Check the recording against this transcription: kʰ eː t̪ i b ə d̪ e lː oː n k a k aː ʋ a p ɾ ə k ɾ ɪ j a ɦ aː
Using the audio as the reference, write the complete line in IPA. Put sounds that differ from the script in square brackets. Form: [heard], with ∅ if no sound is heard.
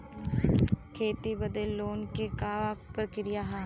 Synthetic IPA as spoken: kʰ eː t̪ i b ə d̪ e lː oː n k [e] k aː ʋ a p ɾ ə k ɾ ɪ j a ɦ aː

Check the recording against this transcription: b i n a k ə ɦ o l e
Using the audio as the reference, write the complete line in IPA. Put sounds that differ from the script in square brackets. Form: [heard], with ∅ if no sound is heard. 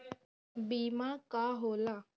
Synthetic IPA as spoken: b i [m] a k [a] ɦ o l [a]

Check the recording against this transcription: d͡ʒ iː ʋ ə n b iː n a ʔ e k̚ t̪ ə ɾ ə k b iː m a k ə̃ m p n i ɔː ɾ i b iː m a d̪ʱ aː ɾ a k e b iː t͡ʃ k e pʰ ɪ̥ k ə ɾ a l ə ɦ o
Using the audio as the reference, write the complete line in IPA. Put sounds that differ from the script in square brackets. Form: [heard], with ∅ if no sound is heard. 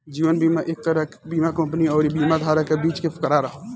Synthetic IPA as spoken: d͡ʒ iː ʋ ə n b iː [m] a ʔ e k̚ t̪ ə ɾ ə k b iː m a k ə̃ m p n i ɔː ɾ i b iː m a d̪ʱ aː ɾ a k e b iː t͡ʃ k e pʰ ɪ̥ k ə ɾ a [ɾ] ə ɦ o

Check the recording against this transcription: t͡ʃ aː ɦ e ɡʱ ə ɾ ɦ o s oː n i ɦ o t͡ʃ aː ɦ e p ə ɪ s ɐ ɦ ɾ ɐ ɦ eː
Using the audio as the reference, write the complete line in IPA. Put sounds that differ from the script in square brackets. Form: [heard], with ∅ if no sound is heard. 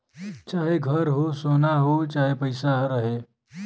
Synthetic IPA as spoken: t͡ʃ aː ɦ e ɡʱ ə ɾ ɦ o s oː n [a] ɦ o t͡ʃ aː ɦ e p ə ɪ s [a] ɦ ɾ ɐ ɦ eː

